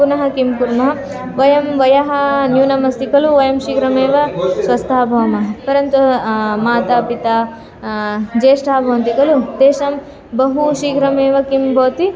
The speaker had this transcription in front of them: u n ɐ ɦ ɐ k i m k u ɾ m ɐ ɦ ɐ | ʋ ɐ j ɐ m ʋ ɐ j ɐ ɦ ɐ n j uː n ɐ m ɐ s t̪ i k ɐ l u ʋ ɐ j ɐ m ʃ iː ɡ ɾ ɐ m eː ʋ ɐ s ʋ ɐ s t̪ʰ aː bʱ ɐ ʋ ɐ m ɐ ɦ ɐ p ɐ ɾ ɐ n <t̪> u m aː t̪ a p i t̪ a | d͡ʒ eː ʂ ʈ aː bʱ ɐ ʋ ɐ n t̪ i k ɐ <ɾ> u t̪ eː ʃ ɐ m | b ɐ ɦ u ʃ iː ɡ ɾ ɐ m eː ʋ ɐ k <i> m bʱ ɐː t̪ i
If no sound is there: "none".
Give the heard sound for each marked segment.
t̪, l, i

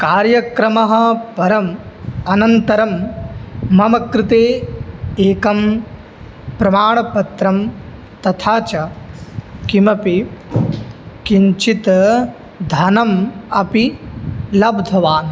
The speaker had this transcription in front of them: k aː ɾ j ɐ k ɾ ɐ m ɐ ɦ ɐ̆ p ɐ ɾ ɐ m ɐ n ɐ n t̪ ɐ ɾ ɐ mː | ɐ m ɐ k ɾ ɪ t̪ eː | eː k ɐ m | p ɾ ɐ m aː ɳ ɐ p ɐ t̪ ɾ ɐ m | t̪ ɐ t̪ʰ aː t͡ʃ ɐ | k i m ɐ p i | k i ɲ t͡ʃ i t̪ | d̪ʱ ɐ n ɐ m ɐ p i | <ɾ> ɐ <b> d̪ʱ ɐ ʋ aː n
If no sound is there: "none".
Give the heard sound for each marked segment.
l, b

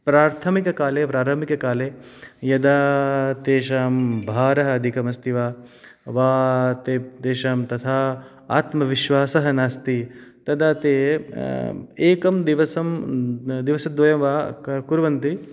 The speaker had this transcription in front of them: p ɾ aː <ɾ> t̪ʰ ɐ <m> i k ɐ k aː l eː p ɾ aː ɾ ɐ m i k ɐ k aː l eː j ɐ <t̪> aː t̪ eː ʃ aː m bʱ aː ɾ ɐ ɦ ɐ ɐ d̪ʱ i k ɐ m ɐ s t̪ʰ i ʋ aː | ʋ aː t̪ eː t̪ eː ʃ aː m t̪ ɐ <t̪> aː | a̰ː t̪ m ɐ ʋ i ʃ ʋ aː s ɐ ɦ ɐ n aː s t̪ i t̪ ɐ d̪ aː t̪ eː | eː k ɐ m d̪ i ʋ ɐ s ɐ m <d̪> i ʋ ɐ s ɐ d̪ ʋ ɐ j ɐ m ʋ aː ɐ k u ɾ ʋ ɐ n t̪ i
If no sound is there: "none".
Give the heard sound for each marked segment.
ɾ, m, d̪, t̪ʰ, d̪

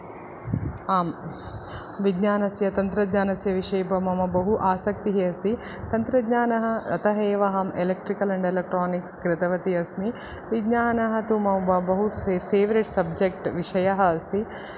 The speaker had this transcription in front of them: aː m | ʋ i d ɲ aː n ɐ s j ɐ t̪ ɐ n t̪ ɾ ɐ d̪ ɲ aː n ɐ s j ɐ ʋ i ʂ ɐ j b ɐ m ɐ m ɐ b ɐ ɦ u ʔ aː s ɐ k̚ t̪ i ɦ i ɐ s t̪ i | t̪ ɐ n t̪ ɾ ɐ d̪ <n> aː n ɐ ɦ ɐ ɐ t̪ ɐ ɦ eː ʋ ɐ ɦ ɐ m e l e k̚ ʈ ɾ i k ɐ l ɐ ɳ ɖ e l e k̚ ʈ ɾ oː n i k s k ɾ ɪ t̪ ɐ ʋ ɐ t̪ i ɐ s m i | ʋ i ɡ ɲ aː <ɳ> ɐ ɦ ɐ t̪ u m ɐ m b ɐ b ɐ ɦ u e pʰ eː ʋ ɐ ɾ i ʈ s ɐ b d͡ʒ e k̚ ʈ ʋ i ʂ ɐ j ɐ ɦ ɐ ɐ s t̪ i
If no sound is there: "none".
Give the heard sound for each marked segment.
ɲ, n

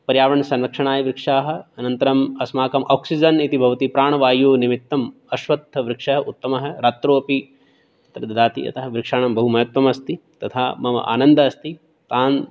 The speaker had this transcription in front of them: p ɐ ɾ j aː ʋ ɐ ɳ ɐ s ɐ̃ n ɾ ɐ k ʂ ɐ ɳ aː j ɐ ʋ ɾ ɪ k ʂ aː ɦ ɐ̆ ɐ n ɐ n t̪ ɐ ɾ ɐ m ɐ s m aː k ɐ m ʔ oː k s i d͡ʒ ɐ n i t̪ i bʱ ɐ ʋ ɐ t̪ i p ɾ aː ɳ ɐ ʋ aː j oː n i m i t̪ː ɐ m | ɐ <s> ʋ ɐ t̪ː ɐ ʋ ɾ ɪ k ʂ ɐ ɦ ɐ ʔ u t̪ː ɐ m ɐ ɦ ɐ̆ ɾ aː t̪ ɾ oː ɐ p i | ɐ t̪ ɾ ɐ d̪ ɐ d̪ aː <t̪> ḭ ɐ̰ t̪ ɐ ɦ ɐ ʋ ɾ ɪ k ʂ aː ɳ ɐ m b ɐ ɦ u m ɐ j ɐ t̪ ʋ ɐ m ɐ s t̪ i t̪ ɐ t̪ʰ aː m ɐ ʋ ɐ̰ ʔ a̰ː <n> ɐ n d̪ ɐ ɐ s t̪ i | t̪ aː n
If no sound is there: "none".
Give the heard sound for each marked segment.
ʃ, t̪, n

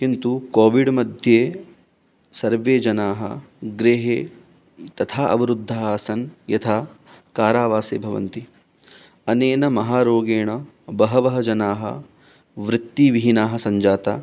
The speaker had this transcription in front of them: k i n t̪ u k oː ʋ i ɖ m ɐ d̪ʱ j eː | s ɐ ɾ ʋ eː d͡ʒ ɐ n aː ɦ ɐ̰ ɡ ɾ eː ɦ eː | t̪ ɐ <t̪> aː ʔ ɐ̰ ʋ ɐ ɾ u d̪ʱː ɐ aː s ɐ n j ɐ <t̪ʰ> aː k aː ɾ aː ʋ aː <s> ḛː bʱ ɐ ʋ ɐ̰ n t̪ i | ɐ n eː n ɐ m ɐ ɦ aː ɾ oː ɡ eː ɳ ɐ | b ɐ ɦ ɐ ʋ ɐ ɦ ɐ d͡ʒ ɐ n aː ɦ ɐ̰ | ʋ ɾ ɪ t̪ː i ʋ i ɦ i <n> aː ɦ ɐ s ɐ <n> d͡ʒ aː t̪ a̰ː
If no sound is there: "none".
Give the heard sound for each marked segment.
t̪ʰ, t̪ʰ, s, n, ɲ

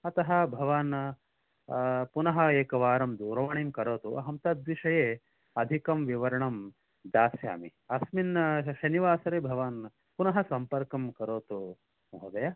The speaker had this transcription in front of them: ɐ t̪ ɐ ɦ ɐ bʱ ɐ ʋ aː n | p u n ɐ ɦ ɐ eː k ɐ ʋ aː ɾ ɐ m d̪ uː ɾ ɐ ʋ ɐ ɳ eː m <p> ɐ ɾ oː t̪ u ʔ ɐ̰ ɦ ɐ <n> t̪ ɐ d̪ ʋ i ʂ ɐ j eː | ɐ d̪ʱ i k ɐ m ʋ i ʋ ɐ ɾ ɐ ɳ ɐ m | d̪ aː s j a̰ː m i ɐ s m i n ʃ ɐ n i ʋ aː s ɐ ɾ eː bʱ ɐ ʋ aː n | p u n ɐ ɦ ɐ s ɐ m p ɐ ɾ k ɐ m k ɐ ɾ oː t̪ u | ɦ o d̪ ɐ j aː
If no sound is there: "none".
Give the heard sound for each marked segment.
k, m

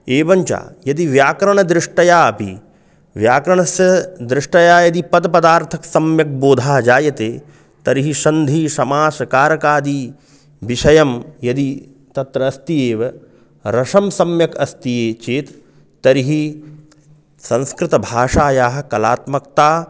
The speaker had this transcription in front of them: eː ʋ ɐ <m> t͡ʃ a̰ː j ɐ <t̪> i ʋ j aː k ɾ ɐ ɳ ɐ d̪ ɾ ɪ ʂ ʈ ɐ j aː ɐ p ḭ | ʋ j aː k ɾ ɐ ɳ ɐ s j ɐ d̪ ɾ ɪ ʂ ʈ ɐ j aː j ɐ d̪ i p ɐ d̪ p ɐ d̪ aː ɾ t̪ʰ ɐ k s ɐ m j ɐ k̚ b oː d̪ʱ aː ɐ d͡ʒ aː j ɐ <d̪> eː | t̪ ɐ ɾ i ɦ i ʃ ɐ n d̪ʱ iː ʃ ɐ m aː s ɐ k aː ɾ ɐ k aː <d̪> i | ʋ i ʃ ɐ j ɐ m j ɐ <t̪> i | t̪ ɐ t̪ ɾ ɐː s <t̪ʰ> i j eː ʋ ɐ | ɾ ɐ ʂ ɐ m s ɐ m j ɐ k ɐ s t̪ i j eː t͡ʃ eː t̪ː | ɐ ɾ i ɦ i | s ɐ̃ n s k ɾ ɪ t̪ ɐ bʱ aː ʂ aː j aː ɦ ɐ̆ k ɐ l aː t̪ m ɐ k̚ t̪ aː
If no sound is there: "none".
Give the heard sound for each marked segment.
ɲ, d̪, t̪, d̪, d̪, t̪

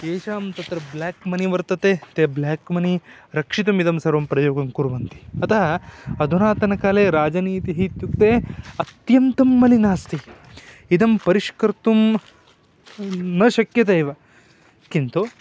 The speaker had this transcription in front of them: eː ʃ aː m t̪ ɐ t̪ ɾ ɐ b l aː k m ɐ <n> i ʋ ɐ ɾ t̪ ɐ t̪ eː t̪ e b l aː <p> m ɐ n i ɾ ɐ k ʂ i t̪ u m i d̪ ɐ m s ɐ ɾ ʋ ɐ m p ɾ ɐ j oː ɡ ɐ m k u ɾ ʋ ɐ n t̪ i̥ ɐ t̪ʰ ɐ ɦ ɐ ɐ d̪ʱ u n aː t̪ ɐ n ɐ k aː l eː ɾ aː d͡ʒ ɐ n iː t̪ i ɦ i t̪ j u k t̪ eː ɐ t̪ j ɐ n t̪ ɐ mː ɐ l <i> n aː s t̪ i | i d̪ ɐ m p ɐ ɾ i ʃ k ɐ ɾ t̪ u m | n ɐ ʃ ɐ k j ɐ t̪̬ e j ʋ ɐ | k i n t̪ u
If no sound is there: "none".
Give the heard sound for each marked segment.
n, k, i

